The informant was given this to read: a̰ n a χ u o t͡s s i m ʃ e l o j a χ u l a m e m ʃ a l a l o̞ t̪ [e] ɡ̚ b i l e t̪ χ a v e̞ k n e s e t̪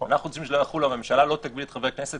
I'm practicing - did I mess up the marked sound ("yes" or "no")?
yes